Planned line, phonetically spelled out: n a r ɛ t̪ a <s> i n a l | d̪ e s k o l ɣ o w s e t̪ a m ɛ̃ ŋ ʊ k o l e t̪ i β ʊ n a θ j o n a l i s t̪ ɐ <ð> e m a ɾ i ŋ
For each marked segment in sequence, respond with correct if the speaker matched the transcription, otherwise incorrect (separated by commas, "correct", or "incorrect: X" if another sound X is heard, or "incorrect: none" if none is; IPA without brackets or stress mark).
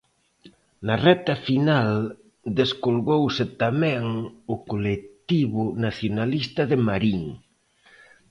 incorrect: f, correct